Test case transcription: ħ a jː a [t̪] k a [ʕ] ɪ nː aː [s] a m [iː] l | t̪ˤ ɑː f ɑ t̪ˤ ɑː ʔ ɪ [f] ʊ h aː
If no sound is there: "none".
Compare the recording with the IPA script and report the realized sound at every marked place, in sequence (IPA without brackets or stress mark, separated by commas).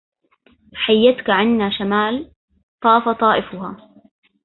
t̪, ʕ, ʃ, aː, f